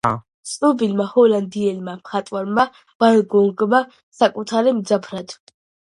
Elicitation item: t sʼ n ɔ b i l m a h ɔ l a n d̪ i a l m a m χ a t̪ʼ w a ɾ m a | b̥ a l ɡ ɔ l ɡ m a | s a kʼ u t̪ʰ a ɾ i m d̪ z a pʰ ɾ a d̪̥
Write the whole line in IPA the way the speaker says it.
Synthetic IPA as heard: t sʼ n ɔ b i l m a h ɔ l a n d̪ i ɛ l m a m χ a t̪ʼ w a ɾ m a | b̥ a l ɡ ɔ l ɡ m a | s a kʼ u t̪ʰ a ɾ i m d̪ z a pʰ ɾ a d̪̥